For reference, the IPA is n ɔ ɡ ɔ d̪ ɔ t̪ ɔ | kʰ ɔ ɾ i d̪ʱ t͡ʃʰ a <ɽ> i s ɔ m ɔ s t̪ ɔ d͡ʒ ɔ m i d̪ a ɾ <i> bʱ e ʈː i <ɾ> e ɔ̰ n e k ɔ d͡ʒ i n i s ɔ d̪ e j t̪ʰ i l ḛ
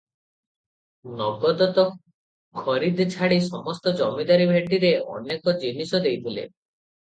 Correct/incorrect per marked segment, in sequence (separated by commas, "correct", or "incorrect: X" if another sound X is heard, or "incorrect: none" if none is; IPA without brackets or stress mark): correct, correct, correct